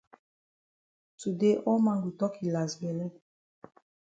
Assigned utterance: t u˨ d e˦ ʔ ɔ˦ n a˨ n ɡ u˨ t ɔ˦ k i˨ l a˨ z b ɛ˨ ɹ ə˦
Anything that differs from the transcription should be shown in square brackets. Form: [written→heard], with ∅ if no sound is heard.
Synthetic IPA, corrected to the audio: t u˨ d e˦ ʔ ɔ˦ [n→m] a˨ [n→ŋ] ɡ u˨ t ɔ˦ k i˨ l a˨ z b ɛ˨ [ɹ→l] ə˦